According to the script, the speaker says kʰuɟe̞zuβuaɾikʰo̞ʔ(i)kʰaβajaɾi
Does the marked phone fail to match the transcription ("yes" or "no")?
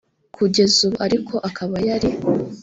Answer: yes